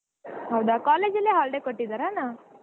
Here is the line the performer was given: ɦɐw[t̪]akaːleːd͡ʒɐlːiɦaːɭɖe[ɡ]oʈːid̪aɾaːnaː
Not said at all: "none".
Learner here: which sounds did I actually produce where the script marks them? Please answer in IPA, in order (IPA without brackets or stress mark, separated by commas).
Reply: d̪, k